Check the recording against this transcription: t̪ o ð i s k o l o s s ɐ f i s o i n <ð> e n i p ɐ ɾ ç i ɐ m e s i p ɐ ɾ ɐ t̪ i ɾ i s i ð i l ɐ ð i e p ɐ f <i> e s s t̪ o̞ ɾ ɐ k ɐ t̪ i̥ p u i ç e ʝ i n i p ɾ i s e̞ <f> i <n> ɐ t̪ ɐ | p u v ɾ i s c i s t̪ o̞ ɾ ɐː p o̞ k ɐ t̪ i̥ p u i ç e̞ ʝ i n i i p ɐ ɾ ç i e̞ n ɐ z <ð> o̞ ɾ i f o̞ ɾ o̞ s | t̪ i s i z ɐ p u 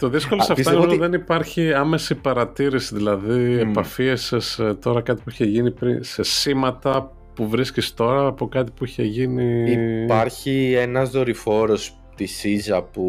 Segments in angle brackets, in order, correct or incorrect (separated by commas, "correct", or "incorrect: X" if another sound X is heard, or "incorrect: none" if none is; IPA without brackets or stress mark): correct, correct, incorrect: s, incorrect: m, correct